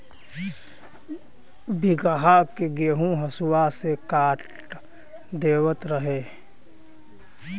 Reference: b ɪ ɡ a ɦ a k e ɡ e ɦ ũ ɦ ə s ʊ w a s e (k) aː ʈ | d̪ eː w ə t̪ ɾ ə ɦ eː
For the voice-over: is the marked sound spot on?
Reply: yes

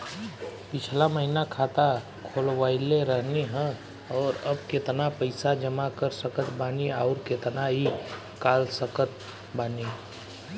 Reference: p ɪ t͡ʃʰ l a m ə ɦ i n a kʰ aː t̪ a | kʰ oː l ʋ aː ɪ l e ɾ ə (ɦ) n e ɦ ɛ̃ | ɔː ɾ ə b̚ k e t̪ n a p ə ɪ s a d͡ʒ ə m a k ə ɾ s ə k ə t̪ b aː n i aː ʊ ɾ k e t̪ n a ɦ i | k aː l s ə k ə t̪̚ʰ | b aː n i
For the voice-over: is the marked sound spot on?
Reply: yes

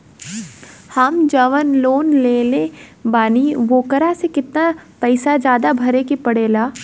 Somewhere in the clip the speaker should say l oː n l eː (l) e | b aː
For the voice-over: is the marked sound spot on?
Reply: yes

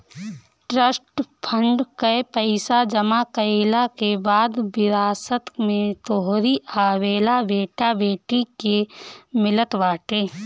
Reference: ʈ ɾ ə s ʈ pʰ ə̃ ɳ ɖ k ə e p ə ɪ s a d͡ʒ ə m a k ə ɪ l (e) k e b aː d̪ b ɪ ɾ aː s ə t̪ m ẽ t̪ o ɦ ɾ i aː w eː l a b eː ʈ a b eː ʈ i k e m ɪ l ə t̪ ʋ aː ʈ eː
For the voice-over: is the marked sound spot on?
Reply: no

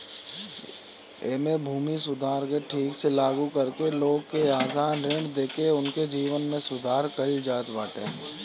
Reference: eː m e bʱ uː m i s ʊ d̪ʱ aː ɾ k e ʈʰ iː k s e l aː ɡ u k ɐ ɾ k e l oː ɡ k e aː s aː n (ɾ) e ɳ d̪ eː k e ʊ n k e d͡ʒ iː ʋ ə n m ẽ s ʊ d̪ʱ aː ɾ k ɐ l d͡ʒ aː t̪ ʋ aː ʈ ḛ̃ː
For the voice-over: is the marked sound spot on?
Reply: yes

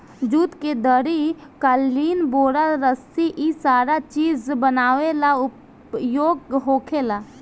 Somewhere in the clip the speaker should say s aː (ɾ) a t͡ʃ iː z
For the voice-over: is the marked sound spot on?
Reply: yes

